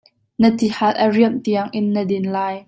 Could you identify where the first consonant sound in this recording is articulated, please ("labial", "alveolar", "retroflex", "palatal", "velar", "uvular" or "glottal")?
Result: alveolar